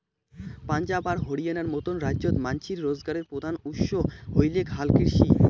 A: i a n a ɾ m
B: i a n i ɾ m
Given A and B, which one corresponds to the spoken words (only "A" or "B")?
A